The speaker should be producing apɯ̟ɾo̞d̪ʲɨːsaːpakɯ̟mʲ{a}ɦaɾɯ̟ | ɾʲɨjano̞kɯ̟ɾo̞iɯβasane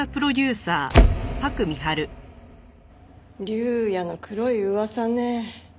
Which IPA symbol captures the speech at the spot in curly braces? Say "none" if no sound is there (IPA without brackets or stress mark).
i